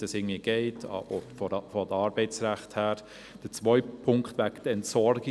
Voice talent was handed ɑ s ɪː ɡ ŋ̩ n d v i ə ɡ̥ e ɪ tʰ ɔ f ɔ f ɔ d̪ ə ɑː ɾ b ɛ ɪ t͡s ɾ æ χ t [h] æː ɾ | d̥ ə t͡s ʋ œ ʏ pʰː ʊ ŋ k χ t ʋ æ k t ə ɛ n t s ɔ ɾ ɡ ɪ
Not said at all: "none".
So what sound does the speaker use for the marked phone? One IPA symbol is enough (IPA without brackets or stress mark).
h